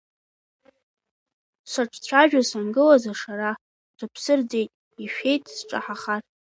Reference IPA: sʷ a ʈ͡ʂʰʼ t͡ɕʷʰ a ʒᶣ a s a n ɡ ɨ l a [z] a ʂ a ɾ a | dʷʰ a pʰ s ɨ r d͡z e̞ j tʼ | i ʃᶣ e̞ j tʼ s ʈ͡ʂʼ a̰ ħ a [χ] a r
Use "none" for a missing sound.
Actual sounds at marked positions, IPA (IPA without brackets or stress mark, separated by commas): z, χ